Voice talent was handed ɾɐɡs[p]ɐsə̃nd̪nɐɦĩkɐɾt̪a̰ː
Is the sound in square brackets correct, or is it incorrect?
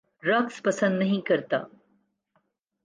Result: correct